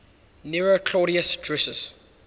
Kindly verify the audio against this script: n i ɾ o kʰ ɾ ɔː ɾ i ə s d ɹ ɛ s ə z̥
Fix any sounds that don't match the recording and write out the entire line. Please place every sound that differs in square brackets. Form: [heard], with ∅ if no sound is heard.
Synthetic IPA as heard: n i [ɹ] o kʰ [l] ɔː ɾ i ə s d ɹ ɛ s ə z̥